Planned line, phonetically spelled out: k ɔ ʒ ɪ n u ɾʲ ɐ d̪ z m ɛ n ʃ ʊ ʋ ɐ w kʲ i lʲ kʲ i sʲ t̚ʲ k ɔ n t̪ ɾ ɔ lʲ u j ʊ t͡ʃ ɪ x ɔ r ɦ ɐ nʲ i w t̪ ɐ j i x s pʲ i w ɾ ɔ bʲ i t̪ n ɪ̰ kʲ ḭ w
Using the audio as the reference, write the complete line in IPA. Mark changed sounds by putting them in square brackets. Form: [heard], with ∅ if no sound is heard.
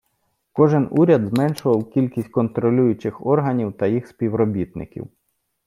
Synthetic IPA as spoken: k ɔ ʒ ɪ n u ɾʲ ɐ d̪ z m ɛ n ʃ ʊ ʋ ɐ w kʲ i lʲ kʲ i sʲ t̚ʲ k ɔ n t̪ ɾ ɔ lʲ u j ʊ t͡ʃ ɪ x ɔ r ɦ ɐ nʲ i w t̪ ɐ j i x s pʲ i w ɾ ɔ bʲ i t̪ n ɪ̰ kʲ ḭ w

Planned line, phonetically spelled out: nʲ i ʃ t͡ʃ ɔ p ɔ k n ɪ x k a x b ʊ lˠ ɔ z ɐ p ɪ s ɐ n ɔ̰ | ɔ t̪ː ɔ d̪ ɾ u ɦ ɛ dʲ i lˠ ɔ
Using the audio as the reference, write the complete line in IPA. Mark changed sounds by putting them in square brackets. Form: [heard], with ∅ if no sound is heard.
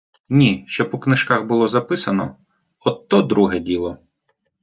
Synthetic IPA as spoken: nʲ i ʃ t͡ʃ ɔ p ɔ k n ɪ [ʃ] k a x b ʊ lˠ ɔ z ɐ p ɪ s ɐ n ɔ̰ | ɔ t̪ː ɔ d̪ ɾ u ɦ ɛ dʲ i lˠ ɔ

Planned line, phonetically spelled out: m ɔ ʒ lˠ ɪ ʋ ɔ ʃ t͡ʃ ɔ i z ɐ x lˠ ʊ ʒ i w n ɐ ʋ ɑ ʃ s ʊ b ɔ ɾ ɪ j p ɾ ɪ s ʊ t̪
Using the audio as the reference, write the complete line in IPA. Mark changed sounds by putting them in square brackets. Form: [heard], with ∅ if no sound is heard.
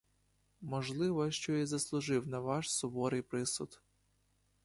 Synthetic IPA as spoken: m ɔ ʒ lˠ ɪ ʋ ɔ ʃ t͡ʃ ɔ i z ɐ [s] lˠ ʊ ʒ [ɪ] w n ɐ ʋ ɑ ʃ s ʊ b ɔ ɾ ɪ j p ɾ ɪ s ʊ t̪

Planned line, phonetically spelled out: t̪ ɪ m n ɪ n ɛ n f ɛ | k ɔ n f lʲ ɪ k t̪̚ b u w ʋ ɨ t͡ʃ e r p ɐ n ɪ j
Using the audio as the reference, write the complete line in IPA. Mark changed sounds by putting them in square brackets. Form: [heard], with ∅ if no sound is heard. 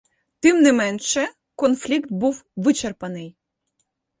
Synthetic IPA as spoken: t̪ ɪ m n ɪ [m] ɛ n [ʃ] ɛ | k ɔ n f lʲ [i] k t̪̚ b u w ʋ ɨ t͡ʃ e r p ɐ n ɪ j

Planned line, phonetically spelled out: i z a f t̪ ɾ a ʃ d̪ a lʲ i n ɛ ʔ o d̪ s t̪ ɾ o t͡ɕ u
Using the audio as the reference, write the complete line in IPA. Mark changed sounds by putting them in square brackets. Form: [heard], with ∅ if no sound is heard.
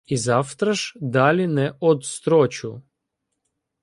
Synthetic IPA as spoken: i z a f t̪ ɾ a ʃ d̪ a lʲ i n ɛ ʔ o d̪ s t̪ ɾ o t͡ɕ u

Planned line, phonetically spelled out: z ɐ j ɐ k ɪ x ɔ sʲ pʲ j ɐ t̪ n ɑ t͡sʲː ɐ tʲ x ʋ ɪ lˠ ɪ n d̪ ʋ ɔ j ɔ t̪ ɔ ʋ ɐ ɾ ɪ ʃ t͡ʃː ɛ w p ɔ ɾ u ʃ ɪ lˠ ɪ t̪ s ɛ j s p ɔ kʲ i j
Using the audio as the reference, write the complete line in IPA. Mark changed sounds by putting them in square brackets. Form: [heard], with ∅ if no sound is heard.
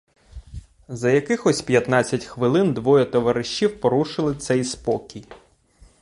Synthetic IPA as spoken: z ɐ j ɐ k ɪ x ɔ sʲ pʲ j ɐ t̪ n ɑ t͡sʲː ɐ tʲ x ʋ ɪ lˠ ɪ n d̪ ʋ ɔ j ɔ t̪ ɔ ʋ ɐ ɾ ɪ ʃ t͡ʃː [i] w p ɔ ɾ u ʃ ɪ lˠ ɪ t̪ s ɛ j s p ɔ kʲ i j

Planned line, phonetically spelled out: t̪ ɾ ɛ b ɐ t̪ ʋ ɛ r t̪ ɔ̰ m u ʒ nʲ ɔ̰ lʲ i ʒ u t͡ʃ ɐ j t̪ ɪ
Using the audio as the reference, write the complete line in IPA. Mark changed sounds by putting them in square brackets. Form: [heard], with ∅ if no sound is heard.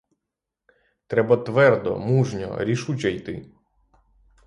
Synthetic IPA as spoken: t̪ ɾ ɛ b ɐ t̪ ʋ ɛ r [d̪] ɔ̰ m u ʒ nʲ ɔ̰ [ɾʲ] i [ʃ] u t͡ʃ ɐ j t̪ ɪ

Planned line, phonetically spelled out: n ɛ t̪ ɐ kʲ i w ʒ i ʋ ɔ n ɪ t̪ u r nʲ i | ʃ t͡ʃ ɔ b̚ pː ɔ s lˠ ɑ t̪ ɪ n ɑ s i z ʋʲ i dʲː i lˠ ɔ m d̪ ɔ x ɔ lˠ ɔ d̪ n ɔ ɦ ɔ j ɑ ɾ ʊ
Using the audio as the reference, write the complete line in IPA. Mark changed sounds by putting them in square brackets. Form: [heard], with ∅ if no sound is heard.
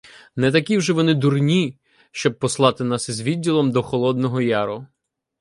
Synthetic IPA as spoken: n ɛ t̪ ɐ kʲ i w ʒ [ɛ] ʋ ɔ n ɪ [d̪] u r nʲ i | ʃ t͡ʃ ɔ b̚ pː ɔ s lˠ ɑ t̪ ɪ n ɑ s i z ʋʲ i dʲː i lˠ ɔ m d̪ ɔ x ɔ lˠ ɔ d̪ n ɔ ɦ ɔ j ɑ ɾ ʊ

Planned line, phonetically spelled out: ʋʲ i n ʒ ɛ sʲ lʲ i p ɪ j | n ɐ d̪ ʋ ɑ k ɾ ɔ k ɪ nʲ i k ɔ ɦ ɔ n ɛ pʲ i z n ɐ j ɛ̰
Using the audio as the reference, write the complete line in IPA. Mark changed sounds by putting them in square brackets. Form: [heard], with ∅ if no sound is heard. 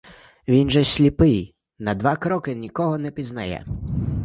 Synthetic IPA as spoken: ʋʲ i n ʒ ɛ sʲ lʲ i p ɪ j | n ɐ d̪ ʋ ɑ k ɾ ɔ k ɪ nʲ i k ɔ ɦ ɔ n ɛ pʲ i z n ɐ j ɛ̰

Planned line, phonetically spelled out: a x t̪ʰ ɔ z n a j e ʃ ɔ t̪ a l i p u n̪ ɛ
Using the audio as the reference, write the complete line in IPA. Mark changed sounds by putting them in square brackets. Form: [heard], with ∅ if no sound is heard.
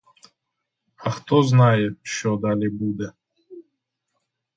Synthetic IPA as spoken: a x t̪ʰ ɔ z n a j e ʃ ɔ [d̪] a l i [b] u [d̪] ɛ

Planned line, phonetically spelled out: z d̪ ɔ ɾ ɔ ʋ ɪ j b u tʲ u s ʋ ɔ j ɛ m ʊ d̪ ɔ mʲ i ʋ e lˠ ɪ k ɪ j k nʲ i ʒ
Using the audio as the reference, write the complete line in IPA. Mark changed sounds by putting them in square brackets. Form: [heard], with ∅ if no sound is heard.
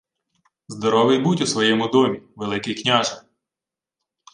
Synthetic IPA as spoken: z d̪ ɔ ɾ ɔ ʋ ɪ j b u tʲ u s ʋ ɔ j ɛ m ʊ d̪ ɔ mʲ i ʋ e lˠ ɪ k ɪ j k nʲ [a] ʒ

